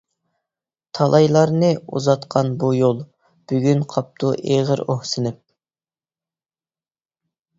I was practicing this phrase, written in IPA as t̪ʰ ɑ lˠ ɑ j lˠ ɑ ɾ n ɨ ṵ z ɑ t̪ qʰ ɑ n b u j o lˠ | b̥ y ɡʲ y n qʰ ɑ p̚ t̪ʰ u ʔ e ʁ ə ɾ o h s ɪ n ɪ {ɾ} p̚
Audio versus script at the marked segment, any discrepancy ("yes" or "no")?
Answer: yes